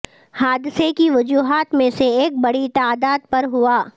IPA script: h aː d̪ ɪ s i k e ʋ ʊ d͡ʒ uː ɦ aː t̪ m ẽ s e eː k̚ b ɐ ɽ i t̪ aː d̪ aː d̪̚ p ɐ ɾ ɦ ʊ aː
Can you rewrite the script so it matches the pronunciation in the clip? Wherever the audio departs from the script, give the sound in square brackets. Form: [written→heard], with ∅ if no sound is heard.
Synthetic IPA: h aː d̪ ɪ s [i→e] k [e→i] ʋ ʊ d͡ʒ uː ɦ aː t̪ m ẽ s e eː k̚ b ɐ ɽ i t̪ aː d̪ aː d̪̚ p ɐ ɾ ɦ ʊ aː